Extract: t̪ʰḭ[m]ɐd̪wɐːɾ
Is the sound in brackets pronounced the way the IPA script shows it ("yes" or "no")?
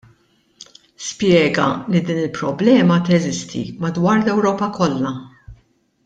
yes